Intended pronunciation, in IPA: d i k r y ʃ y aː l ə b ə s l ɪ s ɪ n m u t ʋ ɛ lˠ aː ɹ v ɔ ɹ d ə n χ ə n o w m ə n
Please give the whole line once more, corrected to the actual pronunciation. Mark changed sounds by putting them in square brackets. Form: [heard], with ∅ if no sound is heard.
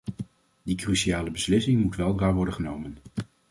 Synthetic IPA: d i k r y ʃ [i] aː l ə b ə s l ɪ s ɪ [ŋ] m u t ʋ ɛ lˠ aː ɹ [ʋ] ɔ ɹ d ə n χ ə n o w m ə n